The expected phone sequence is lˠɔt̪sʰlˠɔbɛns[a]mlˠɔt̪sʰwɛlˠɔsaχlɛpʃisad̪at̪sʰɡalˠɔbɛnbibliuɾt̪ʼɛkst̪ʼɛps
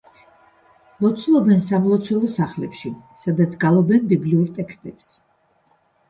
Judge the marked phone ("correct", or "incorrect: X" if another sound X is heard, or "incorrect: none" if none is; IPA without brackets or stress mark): correct